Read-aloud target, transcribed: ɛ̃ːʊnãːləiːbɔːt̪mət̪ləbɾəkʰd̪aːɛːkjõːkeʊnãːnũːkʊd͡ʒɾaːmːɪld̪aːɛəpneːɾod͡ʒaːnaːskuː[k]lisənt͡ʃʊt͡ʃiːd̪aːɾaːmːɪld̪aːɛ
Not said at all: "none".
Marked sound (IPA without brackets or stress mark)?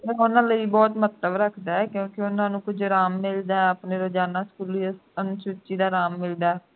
none